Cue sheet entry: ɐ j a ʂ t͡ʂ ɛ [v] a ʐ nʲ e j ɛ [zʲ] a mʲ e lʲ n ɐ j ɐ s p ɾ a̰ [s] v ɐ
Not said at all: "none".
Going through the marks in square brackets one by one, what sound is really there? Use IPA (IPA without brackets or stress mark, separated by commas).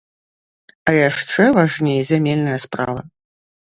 v, zʲ, none